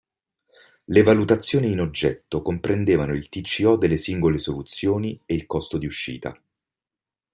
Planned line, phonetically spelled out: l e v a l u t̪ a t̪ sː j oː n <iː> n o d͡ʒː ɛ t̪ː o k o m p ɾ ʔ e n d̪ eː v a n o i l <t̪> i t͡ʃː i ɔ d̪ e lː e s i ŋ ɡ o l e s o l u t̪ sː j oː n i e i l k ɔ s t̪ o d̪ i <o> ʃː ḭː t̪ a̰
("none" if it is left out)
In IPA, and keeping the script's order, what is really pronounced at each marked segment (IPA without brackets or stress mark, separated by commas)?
iː, t̪, u